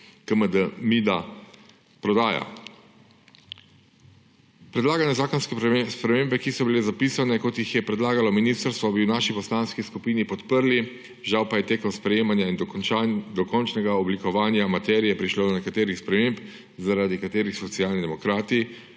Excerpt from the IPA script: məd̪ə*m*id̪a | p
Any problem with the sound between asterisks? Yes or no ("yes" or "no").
no